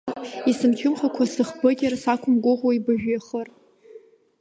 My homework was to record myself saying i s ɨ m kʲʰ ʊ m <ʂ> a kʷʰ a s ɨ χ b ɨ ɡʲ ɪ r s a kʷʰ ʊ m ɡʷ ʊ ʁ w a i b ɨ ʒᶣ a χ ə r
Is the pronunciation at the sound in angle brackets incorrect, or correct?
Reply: incorrect